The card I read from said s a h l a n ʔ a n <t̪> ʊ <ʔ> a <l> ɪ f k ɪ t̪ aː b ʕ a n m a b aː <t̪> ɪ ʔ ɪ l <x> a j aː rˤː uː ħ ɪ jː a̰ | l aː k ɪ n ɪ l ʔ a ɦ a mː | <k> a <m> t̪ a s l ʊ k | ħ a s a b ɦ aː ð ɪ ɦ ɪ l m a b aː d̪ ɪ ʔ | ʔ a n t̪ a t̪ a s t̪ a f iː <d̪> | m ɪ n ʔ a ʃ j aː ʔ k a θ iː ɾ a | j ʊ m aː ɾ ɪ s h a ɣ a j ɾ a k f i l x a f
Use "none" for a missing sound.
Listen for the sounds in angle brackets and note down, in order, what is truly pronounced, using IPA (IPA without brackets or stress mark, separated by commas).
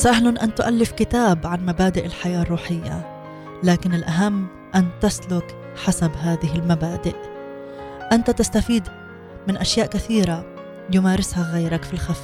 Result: t̪, ʔ, lː, d̪, ħ, ʔ, n, d̪